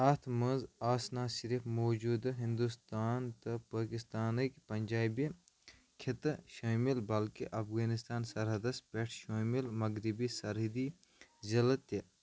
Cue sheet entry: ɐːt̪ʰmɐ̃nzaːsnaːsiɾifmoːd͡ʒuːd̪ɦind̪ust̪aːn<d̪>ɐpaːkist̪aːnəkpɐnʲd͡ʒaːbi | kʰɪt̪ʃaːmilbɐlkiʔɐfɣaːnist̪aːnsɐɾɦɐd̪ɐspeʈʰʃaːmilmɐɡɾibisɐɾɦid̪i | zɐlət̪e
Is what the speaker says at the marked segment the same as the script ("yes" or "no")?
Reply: no